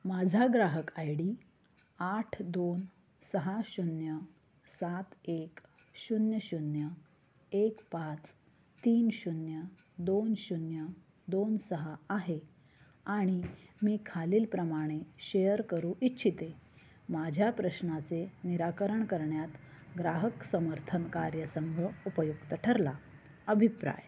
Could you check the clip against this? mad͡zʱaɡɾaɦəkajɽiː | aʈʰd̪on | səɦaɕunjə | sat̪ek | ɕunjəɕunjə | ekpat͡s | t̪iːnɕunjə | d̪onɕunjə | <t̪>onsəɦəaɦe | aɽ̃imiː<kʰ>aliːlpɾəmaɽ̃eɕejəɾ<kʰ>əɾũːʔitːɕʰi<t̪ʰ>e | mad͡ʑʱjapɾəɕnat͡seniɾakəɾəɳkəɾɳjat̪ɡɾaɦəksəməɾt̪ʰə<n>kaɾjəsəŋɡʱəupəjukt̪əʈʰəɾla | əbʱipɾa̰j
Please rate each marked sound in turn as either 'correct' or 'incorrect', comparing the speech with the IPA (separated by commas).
incorrect, correct, incorrect, incorrect, correct